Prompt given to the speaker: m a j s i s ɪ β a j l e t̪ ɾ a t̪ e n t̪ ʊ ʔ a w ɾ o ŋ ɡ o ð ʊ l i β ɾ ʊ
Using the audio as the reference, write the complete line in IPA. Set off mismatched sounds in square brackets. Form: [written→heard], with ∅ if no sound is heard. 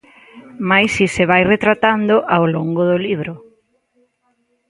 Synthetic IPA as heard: m a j s i s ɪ β a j [l→r] e t̪ ɾ a t̪ [e→a] n [t̪→d̪] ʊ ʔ a w [ɾ→l] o ŋ ɡ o ð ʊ l i β ɾ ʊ